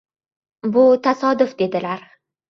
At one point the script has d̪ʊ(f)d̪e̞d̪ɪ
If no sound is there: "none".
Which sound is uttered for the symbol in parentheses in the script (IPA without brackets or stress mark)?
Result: f